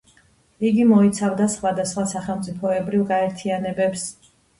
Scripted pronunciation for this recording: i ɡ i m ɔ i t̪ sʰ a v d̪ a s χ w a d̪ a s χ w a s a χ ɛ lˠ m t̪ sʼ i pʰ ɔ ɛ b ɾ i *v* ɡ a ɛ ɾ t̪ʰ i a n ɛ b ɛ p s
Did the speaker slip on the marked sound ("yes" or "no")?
no